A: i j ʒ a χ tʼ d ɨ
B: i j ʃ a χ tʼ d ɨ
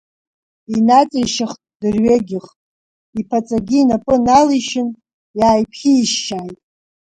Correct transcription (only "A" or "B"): B